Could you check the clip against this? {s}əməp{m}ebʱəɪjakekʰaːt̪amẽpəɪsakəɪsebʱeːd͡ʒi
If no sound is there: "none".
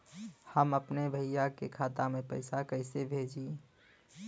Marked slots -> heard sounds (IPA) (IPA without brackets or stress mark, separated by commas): h, n